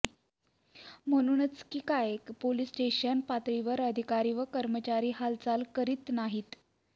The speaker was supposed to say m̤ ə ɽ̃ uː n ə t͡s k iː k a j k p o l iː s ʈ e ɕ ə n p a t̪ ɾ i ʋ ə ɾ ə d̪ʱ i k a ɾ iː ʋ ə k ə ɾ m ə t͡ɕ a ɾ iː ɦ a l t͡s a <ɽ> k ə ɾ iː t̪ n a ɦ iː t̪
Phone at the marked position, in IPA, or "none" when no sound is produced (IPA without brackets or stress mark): l